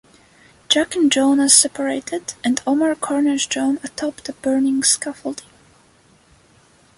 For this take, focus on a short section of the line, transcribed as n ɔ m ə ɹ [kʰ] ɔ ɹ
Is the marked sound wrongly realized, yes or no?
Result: no